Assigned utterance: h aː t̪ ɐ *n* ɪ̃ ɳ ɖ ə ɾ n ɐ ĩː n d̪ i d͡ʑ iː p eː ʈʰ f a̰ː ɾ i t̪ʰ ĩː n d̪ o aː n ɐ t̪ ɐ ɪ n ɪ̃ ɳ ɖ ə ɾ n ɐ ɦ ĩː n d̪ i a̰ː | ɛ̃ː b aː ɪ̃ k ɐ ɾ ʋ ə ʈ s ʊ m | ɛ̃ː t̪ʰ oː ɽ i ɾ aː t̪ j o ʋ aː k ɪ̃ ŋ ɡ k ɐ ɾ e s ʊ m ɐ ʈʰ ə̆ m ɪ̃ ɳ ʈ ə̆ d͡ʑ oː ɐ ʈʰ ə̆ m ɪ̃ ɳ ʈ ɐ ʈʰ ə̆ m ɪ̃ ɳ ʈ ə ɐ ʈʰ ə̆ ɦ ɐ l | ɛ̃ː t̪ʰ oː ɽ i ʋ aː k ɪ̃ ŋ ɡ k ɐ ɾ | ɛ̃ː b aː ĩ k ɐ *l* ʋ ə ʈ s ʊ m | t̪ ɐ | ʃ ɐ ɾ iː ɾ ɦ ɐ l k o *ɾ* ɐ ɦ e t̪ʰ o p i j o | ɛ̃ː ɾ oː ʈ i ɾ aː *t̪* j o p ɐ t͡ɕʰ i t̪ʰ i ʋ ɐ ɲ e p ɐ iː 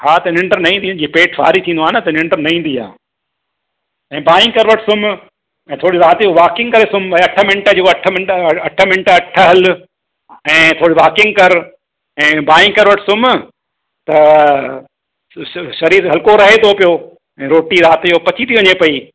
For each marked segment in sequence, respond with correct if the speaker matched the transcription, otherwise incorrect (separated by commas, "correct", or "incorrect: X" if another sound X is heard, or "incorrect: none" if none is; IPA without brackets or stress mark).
correct, incorrect: ɾ, correct, correct